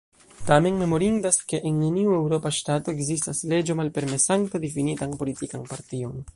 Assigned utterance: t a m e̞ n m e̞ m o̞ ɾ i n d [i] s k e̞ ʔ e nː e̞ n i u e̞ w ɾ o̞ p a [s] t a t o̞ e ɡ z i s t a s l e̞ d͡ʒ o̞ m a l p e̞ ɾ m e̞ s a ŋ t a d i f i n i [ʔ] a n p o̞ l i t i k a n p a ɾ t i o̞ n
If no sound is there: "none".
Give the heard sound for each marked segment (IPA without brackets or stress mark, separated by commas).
a, ʃ, t